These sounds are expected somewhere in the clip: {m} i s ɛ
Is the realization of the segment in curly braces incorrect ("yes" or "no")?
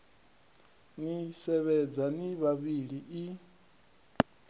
yes